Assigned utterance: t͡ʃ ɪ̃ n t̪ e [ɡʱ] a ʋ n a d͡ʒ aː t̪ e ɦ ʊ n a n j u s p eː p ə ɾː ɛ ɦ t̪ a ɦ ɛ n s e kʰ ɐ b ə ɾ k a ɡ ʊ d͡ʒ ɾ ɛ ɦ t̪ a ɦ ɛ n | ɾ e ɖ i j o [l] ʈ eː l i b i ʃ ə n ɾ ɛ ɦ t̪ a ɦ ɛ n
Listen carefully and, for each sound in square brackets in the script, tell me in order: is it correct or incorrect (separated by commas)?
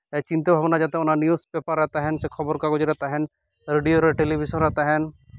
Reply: incorrect, incorrect